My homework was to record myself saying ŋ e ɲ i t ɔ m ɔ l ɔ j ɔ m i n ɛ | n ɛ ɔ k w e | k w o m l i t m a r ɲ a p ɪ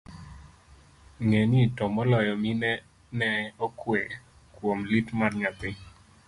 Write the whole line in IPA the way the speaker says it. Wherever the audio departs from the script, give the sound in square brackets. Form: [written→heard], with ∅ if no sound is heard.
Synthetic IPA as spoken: ŋ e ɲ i t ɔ m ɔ l ɔ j ɔ m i n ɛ | n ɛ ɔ k w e | k w o m l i t m a r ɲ a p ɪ